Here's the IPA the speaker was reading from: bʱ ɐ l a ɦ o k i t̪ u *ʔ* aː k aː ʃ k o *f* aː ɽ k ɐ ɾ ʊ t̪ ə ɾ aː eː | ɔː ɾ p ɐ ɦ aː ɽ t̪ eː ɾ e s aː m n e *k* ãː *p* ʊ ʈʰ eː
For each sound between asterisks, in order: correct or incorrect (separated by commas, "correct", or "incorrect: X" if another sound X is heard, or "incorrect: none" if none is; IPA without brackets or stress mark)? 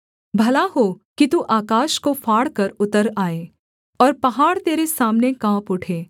correct, correct, correct, correct